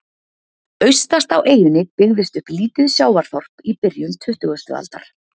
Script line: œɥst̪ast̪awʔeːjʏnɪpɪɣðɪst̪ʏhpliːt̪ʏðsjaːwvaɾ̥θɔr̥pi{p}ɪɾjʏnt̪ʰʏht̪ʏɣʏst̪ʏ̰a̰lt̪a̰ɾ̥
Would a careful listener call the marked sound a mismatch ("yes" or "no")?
no